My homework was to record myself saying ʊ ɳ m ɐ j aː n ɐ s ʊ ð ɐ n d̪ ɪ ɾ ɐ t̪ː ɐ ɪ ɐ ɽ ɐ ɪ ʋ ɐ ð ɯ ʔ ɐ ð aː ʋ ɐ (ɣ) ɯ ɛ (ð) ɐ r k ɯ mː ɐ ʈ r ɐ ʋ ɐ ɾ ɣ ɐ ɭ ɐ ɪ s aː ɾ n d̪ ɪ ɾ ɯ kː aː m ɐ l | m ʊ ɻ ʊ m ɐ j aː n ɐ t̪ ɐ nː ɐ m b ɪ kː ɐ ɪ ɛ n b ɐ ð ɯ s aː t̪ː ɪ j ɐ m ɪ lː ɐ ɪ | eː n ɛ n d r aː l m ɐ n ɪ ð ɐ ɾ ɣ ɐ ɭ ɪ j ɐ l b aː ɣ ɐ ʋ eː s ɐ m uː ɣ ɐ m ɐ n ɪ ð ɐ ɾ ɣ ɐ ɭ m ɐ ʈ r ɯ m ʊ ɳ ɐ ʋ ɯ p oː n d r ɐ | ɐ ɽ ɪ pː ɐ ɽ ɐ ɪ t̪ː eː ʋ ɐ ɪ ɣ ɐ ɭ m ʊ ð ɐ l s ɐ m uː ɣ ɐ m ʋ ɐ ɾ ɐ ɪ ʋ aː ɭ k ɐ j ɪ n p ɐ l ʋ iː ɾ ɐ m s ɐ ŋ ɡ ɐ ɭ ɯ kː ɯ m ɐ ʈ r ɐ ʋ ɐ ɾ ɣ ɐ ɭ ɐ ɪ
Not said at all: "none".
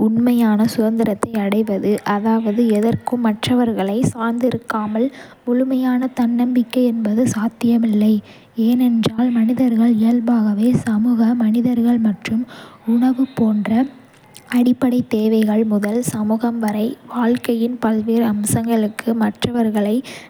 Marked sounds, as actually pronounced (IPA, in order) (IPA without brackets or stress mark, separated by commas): ð, ð